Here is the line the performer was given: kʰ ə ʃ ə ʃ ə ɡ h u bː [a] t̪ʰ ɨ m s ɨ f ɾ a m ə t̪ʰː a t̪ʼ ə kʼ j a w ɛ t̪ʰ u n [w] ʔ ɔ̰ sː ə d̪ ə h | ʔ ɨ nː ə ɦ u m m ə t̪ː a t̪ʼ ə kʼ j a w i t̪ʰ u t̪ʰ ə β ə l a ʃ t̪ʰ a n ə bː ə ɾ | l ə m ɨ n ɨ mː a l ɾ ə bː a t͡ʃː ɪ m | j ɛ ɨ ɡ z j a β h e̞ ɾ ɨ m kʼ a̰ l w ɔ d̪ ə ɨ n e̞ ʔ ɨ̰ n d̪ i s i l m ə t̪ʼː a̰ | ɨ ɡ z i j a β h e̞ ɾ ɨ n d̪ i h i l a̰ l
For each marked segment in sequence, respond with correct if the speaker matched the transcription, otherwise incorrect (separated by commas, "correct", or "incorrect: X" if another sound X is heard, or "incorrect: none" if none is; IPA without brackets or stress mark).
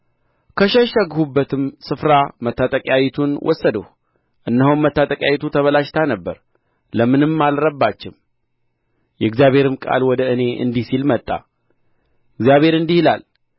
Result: incorrect: ə, correct